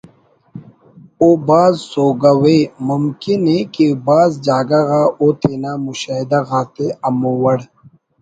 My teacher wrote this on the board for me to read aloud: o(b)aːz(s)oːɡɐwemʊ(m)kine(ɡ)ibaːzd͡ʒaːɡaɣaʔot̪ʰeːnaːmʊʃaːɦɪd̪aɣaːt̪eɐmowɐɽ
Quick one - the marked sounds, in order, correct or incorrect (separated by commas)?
correct, correct, correct, incorrect